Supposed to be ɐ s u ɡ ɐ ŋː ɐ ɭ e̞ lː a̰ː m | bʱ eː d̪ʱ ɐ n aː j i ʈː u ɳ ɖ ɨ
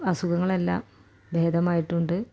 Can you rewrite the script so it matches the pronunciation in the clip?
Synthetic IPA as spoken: ɐ s u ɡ ɐ ŋː ɐ ɭ e̞ lː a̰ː m | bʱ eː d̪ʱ ɐ m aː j i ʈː u ɳ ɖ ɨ